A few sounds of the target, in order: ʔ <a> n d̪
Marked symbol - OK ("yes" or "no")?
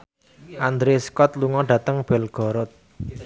yes